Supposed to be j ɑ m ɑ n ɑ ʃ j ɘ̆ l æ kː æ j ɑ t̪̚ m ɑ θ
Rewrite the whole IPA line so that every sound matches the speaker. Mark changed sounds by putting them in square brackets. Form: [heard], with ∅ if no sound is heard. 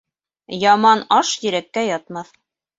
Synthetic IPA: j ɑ m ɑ n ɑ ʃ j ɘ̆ [ɾ] æ kː æ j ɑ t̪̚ m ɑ θ